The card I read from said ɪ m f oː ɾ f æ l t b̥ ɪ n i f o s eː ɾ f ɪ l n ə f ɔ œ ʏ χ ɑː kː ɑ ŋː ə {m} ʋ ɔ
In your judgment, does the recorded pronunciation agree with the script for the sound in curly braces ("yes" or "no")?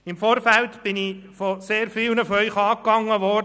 no